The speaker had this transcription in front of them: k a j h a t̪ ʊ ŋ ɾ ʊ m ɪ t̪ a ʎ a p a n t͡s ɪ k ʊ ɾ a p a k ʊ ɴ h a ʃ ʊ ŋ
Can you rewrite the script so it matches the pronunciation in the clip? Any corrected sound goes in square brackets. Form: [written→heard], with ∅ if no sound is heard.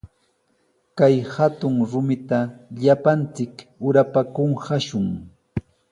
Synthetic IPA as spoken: k a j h a t̪ ʊ ŋ ɾ ʊ m ɪ t̪ a ʎ a p a n t͡s ɪ k ʊ ɾ a p a k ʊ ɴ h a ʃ ʊ ŋ